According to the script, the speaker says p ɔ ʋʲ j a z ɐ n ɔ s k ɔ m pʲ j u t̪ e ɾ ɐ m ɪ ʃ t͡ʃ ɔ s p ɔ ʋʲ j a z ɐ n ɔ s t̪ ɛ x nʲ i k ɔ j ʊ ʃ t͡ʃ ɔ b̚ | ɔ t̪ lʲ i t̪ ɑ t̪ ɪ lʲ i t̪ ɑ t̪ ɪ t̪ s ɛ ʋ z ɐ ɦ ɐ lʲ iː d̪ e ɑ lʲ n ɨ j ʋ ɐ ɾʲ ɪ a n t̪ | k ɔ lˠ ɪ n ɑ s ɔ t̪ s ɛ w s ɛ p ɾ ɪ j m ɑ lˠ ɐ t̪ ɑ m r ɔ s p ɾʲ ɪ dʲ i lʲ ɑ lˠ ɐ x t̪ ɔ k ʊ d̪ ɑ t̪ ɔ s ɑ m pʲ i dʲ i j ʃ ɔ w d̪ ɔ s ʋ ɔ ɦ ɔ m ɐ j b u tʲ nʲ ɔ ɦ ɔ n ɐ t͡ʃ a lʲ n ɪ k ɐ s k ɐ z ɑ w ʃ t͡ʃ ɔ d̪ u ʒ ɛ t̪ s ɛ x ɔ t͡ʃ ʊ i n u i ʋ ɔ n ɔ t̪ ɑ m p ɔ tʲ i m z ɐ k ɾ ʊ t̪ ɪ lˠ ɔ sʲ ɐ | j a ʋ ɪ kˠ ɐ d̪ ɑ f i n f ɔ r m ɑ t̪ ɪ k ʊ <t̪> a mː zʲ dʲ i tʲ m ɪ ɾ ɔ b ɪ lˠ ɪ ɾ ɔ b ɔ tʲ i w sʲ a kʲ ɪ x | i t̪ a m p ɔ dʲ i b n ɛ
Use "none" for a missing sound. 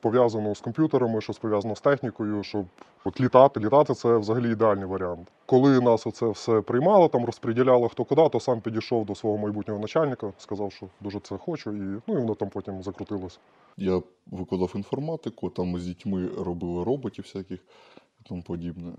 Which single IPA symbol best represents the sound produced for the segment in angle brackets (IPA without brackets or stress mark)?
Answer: t̪